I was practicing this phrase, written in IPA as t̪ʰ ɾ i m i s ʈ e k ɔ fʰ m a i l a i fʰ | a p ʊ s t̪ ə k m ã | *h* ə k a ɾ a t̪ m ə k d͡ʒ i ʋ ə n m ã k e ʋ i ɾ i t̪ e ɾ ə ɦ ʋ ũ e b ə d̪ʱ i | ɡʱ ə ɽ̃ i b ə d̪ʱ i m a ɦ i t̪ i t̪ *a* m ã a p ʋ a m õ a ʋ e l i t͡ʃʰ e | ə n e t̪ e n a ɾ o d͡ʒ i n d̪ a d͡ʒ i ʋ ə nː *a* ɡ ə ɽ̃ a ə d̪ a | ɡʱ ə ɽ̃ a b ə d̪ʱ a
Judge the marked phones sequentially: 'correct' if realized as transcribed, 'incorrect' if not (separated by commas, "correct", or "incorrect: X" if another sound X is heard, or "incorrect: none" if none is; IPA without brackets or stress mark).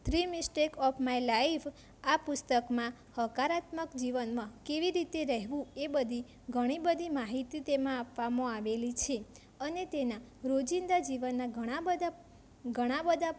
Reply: correct, incorrect: e, correct